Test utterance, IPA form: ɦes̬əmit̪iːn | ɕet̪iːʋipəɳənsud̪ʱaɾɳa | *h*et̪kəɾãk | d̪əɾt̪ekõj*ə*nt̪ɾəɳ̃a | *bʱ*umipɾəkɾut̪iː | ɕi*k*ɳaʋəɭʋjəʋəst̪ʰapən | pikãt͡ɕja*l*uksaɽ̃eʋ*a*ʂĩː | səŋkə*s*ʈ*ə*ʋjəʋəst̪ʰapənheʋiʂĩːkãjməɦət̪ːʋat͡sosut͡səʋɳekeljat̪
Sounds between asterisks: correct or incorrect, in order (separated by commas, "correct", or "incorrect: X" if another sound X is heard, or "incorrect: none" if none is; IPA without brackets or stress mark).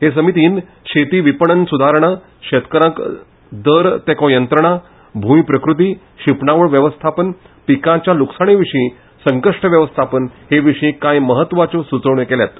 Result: incorrect: ɕ, correct, correct, incorrect: p, correct, incorrect: i, incorrect: ʂ, correct